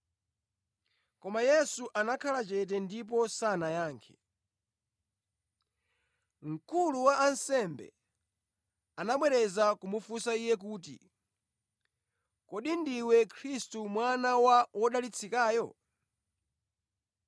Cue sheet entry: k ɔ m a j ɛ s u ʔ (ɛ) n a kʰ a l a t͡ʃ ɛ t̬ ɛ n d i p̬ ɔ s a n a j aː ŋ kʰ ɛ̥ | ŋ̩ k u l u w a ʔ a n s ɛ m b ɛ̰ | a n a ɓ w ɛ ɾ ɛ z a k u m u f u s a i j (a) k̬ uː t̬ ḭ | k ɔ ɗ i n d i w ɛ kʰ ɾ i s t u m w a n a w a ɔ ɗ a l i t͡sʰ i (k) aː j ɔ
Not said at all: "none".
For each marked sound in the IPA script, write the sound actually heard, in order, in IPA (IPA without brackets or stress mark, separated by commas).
a, ɛ, k